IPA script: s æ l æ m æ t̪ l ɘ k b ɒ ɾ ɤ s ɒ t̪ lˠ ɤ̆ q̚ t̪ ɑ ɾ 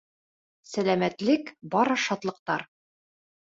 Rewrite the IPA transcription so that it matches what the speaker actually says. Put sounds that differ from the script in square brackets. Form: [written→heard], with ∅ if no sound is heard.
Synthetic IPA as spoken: s æ l æ m æ t̪ l ɘ k b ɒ ɾ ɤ [s→ʃ] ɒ t̪ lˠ ɤ̆ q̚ t̪ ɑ ɾ